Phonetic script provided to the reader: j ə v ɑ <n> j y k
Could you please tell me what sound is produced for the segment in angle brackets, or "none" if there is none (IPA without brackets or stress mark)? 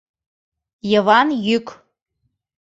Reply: n